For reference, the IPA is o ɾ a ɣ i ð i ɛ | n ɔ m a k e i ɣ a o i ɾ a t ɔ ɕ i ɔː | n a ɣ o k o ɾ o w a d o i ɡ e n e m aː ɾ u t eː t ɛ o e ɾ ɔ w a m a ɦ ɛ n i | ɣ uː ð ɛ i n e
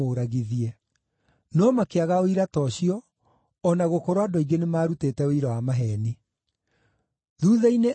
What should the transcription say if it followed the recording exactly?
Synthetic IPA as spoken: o ɾ a ɣ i ð i ɛ | n ɔ m a k e a ɣ a o i ɾ a t ɔ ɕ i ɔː | n a ɣ o k o ɾ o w a d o i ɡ e n e m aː ɾ u t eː t ɛ o i ɾ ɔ w a m a ɦ ɛ n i | ð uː ð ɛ i n e